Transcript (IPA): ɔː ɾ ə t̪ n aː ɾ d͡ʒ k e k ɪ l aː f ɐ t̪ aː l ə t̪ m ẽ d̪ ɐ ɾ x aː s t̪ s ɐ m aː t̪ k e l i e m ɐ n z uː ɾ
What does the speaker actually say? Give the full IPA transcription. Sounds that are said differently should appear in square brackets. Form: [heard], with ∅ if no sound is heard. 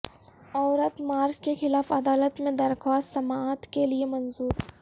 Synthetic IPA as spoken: ɔː ɾ ə t̪ [m] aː ɾ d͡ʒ k e [x] ɪ l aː f ɐ [d̪] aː l ə t̪ m ẽ d̪ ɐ ɾ x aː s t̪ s ɐ m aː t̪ k e l i e m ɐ n z uː ɾ